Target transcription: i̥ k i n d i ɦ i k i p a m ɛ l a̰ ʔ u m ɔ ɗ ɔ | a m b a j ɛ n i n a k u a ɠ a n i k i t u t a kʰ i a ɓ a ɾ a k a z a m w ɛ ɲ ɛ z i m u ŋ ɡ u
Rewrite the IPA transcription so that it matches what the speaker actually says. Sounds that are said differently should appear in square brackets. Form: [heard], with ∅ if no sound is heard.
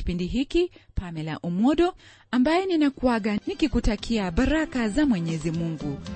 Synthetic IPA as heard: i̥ [p] i n d i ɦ i k i p a m ɛ l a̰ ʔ u m ɔ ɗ ɔ | a m b a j ɛ n i n a k u a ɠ a n i k i [k] u t a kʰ i a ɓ a ɾ a k a z a m w ɛ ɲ ɛ z i m u ŋ ɡ u